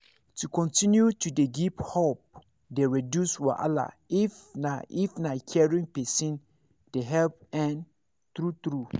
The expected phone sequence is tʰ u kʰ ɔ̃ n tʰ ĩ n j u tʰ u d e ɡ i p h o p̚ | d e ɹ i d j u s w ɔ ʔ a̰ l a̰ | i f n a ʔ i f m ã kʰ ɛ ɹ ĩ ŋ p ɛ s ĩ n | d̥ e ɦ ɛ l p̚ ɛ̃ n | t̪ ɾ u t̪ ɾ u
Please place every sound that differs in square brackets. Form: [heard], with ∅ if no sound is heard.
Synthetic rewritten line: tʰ u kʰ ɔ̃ n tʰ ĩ n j u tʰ u d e ɡ i p h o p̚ | d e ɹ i d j u s w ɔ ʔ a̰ l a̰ | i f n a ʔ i f [n] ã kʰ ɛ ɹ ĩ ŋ p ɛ s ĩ n | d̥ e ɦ ɛ l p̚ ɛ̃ n | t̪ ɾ u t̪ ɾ u

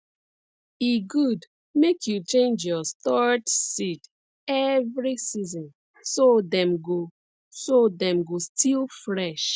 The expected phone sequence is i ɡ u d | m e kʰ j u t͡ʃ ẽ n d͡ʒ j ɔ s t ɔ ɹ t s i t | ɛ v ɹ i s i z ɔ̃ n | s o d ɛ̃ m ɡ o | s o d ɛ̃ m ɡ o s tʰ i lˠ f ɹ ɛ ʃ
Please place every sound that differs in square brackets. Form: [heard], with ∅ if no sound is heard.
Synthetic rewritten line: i ɡ u d | m e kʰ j u t͡ʃ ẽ n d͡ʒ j ɔ s t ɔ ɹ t s i t | ɛ v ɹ i s i z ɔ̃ n | s o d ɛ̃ m ɡ o | s o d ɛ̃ m ɡ o s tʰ i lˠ f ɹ ɛ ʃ

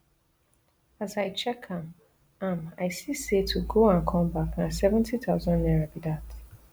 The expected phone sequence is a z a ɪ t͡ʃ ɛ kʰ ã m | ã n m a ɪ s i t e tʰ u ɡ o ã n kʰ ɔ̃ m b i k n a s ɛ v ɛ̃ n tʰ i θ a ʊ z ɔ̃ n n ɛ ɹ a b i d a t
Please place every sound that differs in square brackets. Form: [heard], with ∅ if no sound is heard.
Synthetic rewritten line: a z a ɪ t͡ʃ ɛ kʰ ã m | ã [∅] m a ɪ s i [s] e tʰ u ɡ o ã n kʰ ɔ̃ m b [a] k n a s ɛ v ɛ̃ n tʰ i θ a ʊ z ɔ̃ n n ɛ ɹ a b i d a t

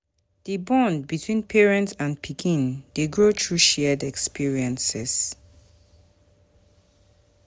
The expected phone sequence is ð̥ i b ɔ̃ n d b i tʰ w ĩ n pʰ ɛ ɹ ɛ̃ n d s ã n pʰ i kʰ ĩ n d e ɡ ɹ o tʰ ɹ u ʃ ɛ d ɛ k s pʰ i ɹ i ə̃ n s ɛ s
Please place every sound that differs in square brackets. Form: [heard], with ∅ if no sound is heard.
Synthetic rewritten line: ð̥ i b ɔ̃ n d b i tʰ w ĩ n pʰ ɛ ɹ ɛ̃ n [t] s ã n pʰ i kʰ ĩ n d e ɡ ɹ o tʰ ɹ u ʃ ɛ d ɛ k s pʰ i ɹ i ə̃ n s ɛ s

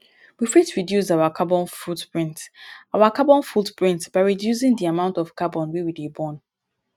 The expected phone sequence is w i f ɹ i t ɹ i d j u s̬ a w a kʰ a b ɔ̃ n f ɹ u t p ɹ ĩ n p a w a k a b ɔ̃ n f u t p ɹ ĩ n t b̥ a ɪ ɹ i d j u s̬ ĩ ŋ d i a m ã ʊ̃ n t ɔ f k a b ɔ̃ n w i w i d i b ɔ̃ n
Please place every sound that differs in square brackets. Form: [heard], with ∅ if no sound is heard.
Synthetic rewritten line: w i f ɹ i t ɹ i d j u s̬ a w a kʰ a b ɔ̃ n f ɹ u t p ɹ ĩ n [t] a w a k a b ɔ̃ n f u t p ɹ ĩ n t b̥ a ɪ ɹ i d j u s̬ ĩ ŋ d i a m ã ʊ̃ n t ɔ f k a b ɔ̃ n w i w i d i b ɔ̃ n

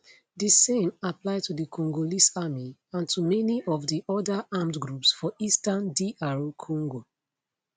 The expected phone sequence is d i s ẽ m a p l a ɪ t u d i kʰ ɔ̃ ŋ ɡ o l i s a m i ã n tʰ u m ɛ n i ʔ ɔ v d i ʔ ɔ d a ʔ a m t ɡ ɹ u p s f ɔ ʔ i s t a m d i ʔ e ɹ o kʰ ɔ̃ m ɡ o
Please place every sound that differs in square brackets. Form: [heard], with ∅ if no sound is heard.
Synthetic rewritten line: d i s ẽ m a p l a ɪ t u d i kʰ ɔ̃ ŋ ɡ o l i s a m i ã n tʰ u m ɛ n i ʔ ɔ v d i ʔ ɔ d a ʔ a m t ɡ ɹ u p s f ɔ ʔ i s t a [n] d i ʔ [a] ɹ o kʰ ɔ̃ [ŋ] ɡ o

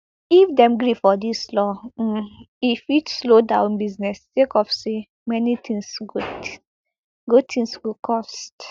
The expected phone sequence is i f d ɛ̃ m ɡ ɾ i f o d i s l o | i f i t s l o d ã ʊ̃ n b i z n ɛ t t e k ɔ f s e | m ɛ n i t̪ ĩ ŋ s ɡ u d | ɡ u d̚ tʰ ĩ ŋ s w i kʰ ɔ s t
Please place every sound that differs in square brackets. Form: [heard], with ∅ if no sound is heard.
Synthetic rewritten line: i f d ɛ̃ m ɡ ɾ i f [ɔ] d i s l [ɔ] | i f i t s l o d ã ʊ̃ n b i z n ɛ [s] t e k ɔ f s e | m ɛ n i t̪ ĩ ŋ s ɡ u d | ɡ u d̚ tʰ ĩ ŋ s w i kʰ ɔ s t

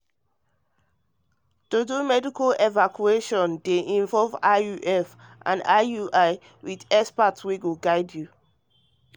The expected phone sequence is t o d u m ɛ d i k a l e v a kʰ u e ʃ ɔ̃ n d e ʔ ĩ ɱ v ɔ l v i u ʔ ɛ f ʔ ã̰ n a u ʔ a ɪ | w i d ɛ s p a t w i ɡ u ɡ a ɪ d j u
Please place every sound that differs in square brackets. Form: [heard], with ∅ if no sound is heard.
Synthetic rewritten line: t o d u m ɛ d i k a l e v a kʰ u e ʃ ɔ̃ n d e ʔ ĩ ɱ v ɔ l v [a] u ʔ ɛ f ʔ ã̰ n a u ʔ a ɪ | w i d ɛ s p a t w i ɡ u ɡ a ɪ d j u

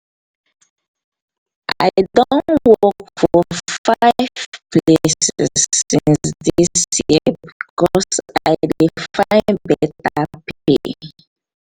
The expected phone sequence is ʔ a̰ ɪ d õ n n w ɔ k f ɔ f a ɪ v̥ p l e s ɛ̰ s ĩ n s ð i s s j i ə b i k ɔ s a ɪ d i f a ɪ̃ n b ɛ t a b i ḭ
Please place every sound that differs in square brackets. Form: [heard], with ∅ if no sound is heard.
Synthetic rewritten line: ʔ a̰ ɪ d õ n n w ɔ k f ɔ f a ɪ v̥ p l e s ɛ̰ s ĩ n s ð i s s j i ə b i k ɔ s a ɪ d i f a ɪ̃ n b ɛ t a [p] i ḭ

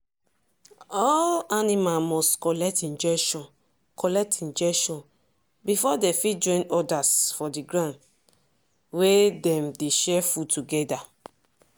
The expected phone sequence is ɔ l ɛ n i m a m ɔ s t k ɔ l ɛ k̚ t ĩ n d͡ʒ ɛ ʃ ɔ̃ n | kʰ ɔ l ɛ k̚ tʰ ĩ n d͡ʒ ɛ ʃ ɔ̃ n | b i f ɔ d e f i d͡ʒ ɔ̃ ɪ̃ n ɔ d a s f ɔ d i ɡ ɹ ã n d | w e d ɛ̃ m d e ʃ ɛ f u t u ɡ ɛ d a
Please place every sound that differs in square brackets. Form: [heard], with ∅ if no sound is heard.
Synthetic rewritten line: ɔ l [a] n i m a m ɔ s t k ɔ l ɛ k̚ t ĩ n d͡ʒ ɛ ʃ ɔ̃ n | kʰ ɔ l ɛ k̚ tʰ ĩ n d͡ʒ ɛ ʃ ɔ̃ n | b i f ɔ d e f i d͡ʒ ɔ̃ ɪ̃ n ɔ d a s f ɔ d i ɡ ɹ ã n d | w e d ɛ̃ m d e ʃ ɛ f u t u ɡ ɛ d a

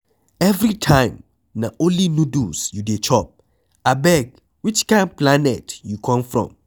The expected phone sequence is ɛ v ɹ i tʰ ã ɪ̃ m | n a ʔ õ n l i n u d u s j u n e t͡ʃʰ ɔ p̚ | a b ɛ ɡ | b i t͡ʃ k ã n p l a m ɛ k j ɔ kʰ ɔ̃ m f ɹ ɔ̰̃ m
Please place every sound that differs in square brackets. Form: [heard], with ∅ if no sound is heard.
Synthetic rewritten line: ɛ v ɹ i tʰ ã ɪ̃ m | n a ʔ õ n l i n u d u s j u [d] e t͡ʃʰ ɔ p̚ | a b ɛ ɡ | [w] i t͡ʃ k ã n p l a [n] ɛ [t] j [u] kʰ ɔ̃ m f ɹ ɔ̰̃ m

